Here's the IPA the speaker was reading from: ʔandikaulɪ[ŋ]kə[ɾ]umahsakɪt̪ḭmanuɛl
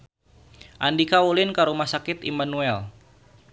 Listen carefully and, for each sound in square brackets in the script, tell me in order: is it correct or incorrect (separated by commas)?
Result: incorrect, correct